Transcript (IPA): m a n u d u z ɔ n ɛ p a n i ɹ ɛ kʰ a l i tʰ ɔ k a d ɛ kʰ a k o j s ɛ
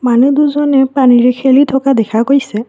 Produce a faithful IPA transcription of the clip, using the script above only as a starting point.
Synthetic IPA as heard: m a n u d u z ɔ n ɛ p a n i ɹ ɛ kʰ e l i tʰ ɔ k a d ɛ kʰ a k o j s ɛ